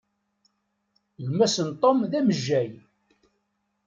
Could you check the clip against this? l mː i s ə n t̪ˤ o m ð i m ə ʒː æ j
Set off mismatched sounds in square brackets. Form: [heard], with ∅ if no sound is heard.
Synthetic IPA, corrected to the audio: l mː [æ] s ə n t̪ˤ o m ð [æ] m ə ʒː æ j